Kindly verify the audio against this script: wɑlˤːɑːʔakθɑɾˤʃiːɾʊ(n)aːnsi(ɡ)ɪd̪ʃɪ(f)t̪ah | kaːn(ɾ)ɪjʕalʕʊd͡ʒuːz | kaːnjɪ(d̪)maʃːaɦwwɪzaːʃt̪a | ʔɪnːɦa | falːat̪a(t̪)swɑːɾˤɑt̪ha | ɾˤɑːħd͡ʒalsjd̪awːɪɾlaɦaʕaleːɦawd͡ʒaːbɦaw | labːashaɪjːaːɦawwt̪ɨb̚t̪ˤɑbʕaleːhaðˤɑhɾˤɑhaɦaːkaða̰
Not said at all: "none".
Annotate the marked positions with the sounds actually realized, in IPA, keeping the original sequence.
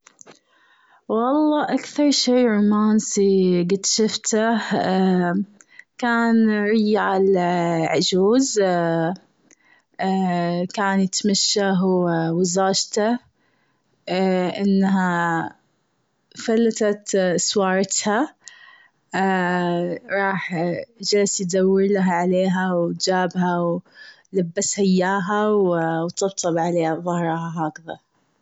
m, ɡ, f, ɾ, t̪, t̪

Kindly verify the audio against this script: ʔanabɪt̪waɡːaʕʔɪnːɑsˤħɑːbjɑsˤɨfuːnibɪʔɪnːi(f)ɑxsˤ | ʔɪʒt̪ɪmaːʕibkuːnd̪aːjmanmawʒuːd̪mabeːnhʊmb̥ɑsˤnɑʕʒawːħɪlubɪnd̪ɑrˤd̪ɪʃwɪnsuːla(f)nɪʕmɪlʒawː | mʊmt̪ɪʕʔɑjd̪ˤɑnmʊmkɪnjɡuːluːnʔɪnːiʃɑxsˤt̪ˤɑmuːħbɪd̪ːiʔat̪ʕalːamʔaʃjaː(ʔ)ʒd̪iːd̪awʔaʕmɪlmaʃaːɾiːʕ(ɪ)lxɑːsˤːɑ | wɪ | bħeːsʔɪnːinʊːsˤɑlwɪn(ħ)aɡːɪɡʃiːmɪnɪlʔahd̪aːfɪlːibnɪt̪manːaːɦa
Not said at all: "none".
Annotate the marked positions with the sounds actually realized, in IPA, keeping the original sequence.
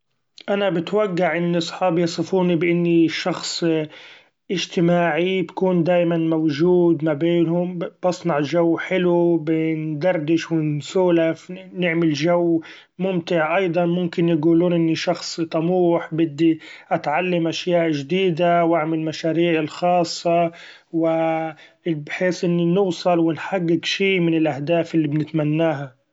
ʃ, f, ʔ, ɪ, ħ

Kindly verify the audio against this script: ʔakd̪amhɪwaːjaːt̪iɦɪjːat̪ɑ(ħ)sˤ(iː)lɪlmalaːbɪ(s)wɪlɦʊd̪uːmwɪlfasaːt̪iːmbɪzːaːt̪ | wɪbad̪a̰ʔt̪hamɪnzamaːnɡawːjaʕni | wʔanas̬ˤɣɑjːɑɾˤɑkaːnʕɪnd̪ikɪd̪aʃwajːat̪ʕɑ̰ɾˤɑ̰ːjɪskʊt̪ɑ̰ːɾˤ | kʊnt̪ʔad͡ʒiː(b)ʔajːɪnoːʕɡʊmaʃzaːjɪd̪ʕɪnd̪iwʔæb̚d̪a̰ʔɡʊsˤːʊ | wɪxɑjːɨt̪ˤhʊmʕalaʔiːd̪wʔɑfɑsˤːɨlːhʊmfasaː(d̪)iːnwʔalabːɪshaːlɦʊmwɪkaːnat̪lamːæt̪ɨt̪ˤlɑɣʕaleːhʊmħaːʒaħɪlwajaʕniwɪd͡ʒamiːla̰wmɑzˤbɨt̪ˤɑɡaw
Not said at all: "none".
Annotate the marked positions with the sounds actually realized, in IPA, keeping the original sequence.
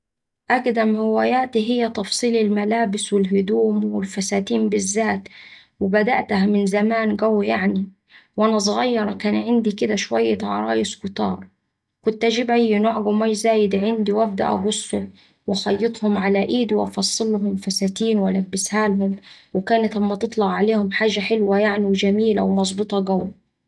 f, iː, s, b, t̪

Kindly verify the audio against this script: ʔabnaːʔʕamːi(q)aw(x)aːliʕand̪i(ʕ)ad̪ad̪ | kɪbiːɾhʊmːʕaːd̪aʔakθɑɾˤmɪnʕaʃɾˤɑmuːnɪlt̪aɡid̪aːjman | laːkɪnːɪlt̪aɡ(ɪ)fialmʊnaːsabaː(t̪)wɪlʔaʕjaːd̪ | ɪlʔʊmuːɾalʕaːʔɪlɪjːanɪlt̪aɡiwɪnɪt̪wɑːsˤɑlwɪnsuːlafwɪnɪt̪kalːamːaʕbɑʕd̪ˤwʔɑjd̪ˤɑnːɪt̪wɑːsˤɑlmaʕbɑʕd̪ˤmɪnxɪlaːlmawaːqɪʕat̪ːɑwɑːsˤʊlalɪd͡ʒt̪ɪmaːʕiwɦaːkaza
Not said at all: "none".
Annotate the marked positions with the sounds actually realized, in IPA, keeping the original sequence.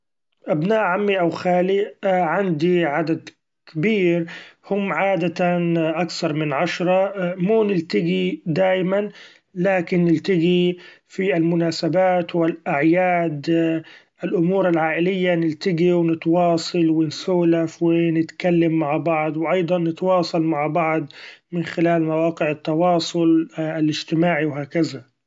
ʔ, x, ʕ, i, t̪

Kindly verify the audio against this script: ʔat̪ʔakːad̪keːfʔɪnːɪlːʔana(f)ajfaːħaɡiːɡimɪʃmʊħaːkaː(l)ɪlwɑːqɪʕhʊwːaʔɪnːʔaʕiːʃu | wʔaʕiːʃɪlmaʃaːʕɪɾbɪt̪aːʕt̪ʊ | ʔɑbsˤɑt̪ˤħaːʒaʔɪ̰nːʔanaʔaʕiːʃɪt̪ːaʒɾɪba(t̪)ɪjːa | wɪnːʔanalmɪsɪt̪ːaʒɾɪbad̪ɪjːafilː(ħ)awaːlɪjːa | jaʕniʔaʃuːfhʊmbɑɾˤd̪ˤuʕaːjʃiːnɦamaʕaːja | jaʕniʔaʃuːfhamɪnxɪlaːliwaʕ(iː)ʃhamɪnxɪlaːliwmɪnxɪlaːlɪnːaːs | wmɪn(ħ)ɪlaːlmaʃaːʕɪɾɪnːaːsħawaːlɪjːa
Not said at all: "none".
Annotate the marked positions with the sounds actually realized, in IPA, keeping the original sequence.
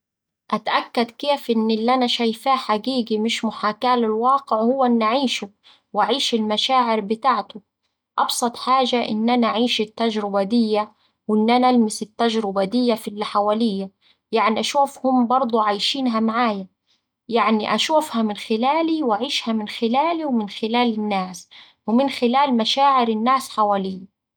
ʃ, l, d̪, ħ, iː, x

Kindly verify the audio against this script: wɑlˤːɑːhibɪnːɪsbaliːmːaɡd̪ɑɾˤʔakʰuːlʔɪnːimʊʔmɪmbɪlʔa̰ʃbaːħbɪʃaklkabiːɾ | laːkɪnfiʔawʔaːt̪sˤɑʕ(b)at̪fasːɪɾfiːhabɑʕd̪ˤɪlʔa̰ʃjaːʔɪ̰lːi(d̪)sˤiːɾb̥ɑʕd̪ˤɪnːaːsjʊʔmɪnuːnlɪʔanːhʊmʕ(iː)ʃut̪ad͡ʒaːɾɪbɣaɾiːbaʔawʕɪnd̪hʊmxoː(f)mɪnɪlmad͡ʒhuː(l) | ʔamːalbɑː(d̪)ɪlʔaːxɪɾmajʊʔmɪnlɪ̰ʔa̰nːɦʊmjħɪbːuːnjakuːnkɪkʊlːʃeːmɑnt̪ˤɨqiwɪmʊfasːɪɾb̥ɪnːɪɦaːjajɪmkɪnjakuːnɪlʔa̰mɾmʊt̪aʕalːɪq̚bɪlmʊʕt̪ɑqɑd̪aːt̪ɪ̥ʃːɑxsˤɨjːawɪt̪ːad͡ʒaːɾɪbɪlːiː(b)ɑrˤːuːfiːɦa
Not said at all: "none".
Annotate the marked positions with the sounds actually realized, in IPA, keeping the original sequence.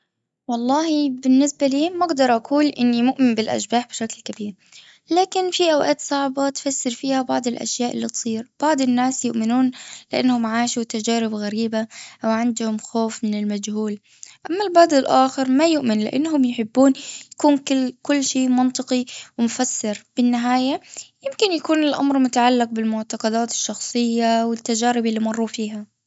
b, t̪, aː, f, l, d̪, m

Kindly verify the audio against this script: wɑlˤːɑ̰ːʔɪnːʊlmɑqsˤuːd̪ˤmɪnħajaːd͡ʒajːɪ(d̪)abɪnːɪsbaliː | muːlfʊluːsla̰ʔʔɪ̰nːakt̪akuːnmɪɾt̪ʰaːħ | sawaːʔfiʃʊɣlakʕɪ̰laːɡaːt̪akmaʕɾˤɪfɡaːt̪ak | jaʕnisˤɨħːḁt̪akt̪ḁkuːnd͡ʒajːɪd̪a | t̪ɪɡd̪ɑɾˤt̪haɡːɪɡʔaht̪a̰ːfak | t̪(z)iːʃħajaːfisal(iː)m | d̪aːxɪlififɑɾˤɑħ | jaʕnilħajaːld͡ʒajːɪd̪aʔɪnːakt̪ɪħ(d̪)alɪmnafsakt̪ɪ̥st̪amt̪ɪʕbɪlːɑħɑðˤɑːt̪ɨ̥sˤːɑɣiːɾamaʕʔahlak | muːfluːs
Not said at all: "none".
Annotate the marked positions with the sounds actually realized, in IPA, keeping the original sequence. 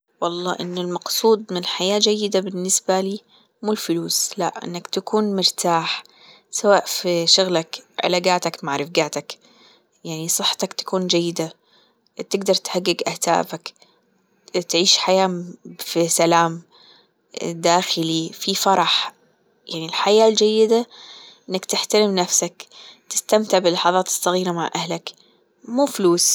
d̪, ʕ, aː, t̪

